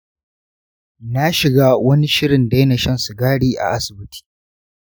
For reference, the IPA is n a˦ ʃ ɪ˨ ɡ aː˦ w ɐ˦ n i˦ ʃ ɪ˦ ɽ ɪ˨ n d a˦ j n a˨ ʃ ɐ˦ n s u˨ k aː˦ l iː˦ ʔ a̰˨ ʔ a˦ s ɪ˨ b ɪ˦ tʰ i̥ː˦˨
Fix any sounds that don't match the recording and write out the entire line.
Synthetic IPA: n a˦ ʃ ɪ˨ ɡ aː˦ w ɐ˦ n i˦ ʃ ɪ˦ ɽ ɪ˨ n d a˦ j n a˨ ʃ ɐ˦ n s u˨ ɡ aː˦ ɽ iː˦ ʔ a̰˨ ʔ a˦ s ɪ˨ b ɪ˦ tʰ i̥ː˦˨